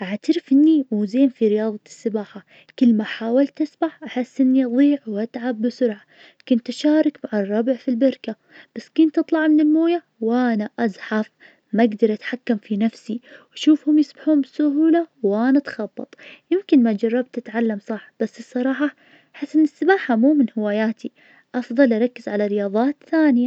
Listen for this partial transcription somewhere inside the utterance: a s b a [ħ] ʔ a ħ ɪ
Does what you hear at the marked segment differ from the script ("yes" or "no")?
no